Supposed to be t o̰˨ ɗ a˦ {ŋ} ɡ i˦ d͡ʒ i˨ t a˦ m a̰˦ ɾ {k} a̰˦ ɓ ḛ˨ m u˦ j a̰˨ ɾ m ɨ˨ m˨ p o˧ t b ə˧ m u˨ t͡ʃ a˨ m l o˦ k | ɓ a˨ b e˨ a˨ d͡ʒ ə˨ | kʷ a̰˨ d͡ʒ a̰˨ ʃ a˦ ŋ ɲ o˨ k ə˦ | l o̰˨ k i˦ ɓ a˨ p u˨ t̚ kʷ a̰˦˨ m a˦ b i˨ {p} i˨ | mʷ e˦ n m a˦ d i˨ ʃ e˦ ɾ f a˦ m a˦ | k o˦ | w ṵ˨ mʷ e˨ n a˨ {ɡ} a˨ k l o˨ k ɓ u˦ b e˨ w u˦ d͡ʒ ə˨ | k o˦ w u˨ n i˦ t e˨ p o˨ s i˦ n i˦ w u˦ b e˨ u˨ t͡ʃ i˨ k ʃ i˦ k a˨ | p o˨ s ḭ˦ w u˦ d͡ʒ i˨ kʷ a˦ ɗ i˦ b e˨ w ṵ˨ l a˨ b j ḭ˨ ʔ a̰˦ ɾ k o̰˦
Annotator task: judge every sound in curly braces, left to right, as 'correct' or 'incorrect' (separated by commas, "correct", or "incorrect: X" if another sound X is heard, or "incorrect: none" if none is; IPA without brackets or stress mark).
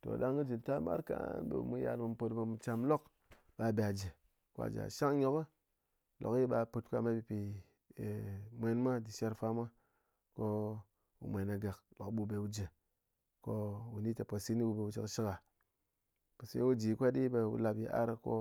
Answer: correct, correct, correct, correct